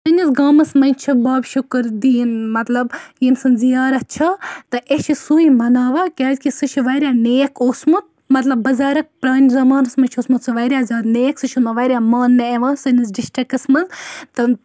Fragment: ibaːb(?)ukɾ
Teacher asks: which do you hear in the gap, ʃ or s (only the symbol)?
ʃ